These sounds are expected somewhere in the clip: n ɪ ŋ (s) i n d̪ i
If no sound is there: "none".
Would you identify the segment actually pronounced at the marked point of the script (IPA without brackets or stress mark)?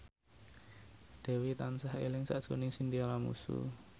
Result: s